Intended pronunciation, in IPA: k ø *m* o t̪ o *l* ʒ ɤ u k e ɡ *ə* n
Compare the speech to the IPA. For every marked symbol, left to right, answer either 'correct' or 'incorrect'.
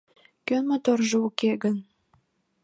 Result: correct, incorrect, correct

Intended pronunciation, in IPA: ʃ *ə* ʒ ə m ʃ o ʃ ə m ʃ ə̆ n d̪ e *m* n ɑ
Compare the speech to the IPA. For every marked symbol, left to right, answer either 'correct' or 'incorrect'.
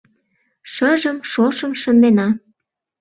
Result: correct, incorrect

